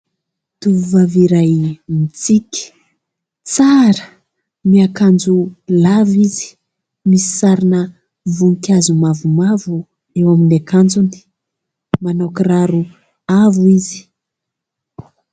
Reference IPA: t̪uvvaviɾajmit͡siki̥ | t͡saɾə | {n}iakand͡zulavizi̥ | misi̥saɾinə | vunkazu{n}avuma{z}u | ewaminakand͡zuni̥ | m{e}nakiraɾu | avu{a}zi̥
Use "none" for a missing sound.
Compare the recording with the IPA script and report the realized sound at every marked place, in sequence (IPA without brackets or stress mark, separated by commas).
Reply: m, m, v, a, i